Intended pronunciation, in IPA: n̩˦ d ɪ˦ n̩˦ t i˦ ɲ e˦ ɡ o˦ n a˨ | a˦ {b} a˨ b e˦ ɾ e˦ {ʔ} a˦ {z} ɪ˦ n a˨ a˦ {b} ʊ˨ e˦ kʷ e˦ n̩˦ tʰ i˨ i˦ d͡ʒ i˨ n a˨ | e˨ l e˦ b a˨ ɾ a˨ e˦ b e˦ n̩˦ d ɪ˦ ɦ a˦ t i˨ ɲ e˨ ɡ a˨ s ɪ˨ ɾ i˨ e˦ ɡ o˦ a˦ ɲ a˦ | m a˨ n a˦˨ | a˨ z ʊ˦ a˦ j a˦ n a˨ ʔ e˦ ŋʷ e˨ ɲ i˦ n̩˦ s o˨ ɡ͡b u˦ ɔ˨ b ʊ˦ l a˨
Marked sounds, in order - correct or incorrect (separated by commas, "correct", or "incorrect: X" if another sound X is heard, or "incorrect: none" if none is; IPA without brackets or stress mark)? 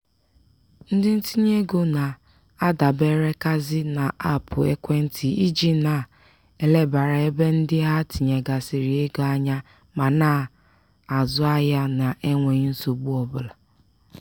incorrect: d, incorrect: k, correct, incorrect: p